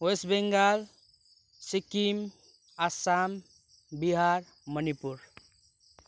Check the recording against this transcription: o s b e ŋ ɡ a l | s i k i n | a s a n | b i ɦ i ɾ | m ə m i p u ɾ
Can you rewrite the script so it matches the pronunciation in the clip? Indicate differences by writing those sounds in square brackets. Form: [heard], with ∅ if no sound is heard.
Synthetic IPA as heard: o s b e ŋ ɡ a l | s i k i [m] | a s a [m] | b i ɦ [a] ɾ | m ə [n] i p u ɾ